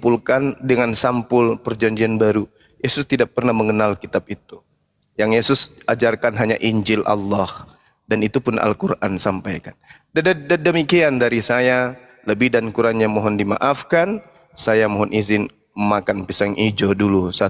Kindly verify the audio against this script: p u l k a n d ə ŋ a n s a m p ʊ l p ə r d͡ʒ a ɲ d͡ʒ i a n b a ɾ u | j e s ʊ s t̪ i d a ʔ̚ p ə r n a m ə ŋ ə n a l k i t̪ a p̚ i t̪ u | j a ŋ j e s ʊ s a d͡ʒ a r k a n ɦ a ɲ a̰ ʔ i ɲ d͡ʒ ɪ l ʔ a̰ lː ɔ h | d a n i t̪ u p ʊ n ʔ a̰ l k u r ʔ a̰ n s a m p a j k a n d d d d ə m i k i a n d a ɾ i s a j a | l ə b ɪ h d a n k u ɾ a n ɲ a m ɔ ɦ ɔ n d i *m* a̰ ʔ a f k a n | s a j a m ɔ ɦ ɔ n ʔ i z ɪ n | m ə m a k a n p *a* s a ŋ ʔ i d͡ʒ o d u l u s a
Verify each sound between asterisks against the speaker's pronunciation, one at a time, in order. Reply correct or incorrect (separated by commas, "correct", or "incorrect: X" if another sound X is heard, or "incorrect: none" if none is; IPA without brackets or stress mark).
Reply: correct, incorrect: i